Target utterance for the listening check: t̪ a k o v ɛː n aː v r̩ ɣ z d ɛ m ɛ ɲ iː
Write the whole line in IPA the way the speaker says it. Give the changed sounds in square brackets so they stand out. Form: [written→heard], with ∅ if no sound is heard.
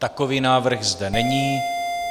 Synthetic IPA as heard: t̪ a k o v [ɛː→iː] n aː v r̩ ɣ z d ɛ [m→n] ɛ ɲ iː